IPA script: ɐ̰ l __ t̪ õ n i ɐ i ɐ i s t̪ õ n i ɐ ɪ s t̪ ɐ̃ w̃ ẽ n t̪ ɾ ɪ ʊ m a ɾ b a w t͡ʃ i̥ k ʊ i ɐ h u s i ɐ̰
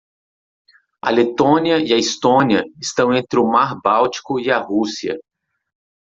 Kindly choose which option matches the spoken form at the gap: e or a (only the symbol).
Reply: e